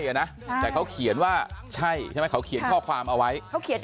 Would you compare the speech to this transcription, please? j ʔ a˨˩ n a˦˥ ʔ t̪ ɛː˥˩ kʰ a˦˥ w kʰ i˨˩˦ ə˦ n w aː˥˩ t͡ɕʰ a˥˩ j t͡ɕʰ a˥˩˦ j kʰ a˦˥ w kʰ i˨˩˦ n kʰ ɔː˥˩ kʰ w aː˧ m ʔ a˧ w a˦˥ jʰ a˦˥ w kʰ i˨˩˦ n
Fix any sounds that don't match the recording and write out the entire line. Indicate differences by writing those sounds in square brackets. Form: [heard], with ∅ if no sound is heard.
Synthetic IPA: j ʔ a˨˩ n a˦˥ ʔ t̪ [ɛː˨˩] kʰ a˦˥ w kʰ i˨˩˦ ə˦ n w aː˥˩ t͡ɕʰ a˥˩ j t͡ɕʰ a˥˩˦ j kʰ a˦˥ w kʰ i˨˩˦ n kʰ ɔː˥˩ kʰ w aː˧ m ʔ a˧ w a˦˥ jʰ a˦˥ w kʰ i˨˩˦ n